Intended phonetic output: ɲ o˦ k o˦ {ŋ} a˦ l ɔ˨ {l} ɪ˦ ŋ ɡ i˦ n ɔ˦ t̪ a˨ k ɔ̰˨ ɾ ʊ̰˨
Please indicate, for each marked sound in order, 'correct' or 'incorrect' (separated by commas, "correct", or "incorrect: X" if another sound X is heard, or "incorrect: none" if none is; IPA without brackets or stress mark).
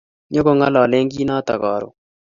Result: correct, correct